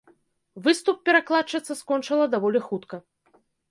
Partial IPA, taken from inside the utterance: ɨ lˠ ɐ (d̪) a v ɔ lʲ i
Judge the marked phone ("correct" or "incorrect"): correct